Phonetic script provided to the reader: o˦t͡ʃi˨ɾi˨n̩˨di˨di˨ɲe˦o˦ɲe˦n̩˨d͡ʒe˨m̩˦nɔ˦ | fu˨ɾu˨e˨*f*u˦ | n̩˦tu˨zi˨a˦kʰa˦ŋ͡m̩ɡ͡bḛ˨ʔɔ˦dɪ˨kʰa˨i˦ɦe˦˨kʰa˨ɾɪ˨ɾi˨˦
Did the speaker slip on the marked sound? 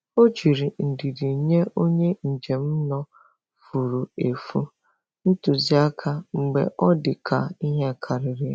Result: no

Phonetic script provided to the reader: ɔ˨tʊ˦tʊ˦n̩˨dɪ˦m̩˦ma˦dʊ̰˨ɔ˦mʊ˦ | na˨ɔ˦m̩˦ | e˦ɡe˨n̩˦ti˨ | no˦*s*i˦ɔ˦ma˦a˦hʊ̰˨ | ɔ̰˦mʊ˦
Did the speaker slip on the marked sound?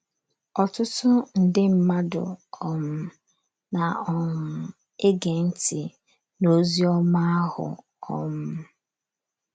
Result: yes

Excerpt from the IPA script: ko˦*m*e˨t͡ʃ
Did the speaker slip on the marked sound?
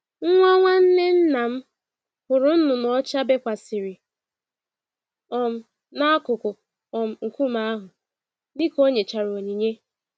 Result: yes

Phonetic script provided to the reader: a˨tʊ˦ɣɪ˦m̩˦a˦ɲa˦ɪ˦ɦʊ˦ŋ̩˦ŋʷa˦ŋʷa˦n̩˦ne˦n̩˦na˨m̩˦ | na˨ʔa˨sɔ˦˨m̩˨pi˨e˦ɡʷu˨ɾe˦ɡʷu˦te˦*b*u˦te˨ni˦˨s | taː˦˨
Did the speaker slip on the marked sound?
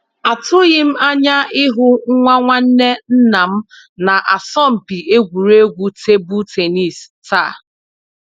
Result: no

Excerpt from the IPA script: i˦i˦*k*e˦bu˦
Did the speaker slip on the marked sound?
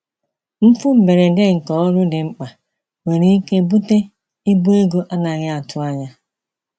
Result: no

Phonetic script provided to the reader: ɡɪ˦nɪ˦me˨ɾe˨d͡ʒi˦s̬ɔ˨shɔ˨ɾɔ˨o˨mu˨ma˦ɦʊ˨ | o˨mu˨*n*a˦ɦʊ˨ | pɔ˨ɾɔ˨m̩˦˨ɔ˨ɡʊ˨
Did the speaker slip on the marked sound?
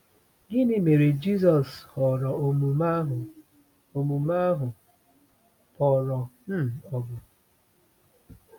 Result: yes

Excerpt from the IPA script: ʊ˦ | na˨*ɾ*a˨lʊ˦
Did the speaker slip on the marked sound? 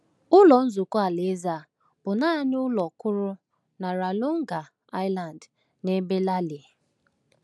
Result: no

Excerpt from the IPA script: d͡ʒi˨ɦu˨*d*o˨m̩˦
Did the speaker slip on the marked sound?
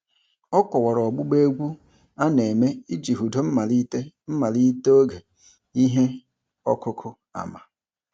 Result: no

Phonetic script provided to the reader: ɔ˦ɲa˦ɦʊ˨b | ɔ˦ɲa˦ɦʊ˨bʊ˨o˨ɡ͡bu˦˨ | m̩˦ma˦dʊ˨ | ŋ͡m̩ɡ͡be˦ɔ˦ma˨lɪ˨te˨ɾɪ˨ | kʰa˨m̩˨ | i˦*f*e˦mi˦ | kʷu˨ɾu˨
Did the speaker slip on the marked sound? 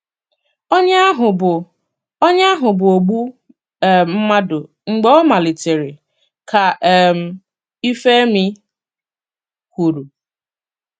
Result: no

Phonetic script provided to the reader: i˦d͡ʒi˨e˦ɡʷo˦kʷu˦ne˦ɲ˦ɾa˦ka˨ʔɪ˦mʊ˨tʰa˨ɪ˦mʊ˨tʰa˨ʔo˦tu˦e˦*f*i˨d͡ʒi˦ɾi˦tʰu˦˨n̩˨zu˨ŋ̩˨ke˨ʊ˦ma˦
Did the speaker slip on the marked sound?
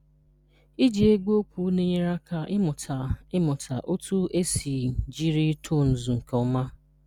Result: yes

